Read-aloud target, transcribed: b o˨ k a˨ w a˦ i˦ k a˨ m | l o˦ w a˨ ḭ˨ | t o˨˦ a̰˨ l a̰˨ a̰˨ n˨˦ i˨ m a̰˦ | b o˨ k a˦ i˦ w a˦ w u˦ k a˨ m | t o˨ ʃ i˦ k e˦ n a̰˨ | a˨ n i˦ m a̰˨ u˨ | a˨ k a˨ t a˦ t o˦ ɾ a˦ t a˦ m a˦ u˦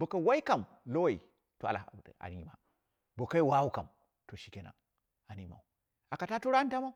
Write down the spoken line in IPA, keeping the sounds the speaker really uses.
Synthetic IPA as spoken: b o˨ k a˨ w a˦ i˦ k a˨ m | l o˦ w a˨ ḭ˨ | t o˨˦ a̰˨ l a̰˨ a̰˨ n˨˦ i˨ m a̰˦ | b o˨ k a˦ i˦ w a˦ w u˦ k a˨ m | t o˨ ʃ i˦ k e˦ n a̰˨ | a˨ n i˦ m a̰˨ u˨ | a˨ k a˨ t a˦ t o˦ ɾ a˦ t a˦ m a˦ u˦